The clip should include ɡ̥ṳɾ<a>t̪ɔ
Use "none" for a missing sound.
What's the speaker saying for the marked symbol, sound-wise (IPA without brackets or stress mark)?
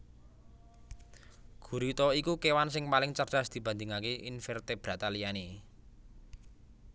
i